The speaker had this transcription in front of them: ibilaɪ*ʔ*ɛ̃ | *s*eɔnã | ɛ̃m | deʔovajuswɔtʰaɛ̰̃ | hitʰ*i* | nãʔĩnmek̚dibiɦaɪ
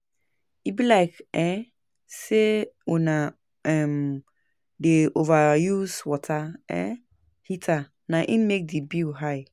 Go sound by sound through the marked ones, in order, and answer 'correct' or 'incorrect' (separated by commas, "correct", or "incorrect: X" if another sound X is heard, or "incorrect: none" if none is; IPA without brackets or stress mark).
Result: incorrect: k, correct, incorrect: a